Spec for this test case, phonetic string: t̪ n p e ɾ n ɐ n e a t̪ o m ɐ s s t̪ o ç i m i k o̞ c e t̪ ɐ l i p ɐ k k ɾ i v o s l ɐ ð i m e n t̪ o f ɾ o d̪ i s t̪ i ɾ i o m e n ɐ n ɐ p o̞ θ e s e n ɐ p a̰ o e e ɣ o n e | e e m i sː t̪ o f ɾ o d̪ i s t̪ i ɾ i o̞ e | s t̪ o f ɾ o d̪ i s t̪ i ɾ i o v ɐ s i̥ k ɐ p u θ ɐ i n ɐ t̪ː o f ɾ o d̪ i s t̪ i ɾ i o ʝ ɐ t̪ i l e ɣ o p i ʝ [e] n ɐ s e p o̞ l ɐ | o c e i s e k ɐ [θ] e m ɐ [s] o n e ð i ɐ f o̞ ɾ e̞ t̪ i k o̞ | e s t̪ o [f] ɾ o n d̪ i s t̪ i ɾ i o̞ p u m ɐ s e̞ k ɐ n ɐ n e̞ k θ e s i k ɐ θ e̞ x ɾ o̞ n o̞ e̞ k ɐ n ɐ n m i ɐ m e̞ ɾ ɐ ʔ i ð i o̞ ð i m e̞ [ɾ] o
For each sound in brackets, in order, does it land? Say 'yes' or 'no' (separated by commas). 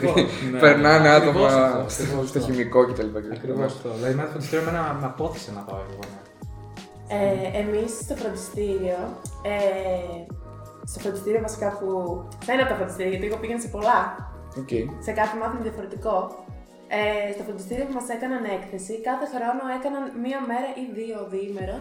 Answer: yes, yes, no, yes, yes